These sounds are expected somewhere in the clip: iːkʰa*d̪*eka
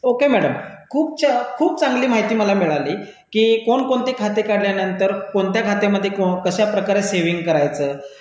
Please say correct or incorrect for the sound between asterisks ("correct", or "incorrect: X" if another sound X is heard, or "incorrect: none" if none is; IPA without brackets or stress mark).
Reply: incorrect: t̪